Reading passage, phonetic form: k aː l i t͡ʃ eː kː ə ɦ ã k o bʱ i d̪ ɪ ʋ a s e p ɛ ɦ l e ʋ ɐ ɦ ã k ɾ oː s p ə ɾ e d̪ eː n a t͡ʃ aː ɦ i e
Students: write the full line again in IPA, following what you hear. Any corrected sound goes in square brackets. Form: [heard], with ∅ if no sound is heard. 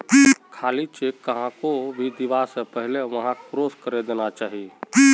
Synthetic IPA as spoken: [kʰ] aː l i t͡ʃ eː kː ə ɦ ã k o bʱ i d̪ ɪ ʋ a s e p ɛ ɦ l e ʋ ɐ ɦ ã k ɾ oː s [k] ə ɾ e d̪ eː n a t͡ʃ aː ɦ i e

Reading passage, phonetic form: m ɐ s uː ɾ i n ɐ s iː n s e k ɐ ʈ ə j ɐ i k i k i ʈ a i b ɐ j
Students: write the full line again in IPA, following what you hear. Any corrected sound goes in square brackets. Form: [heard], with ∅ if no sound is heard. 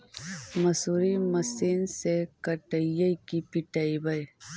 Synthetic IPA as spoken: m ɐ s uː ɾ i [m] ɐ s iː n s e k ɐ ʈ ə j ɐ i k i [p] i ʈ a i b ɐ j

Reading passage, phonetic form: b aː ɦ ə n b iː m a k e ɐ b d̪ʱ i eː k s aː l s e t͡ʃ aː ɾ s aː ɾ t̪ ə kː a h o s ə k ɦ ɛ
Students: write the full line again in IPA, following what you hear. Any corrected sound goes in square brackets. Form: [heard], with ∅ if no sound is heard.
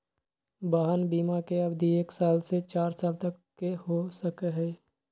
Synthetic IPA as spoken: b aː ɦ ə n b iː m a k e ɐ b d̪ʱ i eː k s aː l s e t͡ʃ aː ɾ s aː [l] t̪ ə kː [e] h o s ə k ɦ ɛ

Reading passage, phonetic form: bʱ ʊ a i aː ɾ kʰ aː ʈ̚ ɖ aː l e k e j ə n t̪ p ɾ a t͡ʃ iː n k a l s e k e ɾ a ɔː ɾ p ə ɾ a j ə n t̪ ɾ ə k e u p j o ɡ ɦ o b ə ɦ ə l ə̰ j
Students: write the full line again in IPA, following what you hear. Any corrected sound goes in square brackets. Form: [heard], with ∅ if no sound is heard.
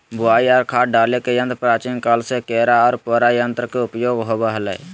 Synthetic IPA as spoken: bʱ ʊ a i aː ɾ kʰ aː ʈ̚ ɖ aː l e k e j ə n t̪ p ɾ a t͡ʃ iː n k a l s e k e ɾ a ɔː ɾ p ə ɾ a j ə n t̪ ɾ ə k e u p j o ɡ ɦ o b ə ɦ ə l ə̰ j

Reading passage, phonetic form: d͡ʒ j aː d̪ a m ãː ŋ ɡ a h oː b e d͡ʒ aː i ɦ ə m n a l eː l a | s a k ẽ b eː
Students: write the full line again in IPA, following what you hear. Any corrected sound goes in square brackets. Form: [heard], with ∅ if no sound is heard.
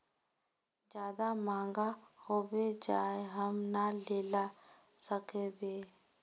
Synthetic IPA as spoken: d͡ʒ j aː d̪ a m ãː ŋ ɡ a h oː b e d͡ʒ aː [e] ɦ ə m n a l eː l a | s [ə] k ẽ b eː

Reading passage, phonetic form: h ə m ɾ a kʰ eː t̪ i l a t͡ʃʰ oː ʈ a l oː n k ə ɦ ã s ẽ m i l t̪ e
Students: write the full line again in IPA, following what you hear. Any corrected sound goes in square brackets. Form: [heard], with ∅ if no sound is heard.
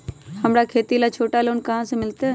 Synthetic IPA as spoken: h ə m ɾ a kʰ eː t̪ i l a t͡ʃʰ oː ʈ a l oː n k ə ɦ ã s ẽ m [ɪ] l t̪ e

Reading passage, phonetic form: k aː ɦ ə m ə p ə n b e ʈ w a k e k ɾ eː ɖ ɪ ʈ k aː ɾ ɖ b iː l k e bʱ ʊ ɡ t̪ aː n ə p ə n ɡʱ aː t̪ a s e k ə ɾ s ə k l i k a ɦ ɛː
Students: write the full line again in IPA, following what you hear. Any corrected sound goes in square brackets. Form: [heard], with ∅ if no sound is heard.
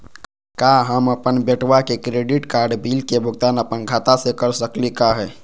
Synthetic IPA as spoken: k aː ɦ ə m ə p ə n b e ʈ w a k e k ɾ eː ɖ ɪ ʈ k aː ɾ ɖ b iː l k e bʱ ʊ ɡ t̪ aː n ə p ə n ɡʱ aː t̪ a s e k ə ɾ s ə k l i k a ɦ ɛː

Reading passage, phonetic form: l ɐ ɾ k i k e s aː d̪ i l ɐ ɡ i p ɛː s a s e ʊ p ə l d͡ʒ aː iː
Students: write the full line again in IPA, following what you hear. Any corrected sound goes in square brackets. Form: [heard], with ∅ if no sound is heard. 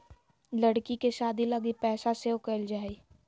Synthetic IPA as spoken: l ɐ [ɽ] k i k e [ʃ] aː d̪ i l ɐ ɡ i p ɛː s a s e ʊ [k] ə l d͡ʒ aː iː

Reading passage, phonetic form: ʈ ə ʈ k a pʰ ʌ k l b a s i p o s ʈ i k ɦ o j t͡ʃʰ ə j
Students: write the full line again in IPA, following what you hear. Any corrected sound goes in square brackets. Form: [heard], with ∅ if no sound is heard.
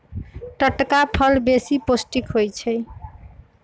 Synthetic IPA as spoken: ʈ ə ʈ k a pʰ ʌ [∅] l b [e] s i p o s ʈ i k ɦ o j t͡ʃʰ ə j

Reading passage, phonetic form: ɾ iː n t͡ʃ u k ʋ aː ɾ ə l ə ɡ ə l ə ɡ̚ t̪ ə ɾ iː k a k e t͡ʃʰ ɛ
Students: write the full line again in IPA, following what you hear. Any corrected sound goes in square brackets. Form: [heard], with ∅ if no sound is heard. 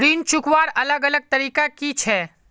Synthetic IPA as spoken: ɾ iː n t͡ʃ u k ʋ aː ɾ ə l ə ɡ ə l ə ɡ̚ t̪ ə ɾ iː k a k [i] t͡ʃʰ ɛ

